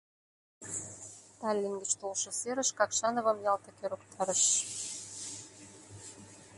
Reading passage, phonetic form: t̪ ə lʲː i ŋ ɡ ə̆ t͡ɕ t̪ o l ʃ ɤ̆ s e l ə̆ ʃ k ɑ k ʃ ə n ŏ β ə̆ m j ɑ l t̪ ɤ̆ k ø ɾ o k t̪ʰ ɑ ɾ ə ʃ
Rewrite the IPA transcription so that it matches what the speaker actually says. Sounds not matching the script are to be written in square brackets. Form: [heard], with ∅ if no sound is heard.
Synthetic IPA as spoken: t̪ [ɑ] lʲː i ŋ ɡ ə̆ t͡ɕ t̪ o l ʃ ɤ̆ s e [ɾ] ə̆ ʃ k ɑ k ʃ [ɑ] n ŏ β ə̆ m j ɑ l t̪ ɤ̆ k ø ɾ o k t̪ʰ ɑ ɾ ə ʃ